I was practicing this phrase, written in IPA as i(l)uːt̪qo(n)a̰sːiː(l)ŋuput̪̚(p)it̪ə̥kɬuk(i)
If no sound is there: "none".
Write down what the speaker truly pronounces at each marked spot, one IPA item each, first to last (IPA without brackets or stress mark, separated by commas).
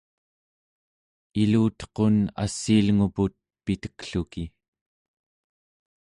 l, n, l, p, i